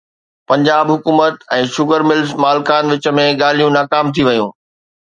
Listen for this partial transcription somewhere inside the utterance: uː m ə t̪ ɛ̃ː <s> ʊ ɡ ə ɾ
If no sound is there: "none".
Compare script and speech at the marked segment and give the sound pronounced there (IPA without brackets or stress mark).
ʃ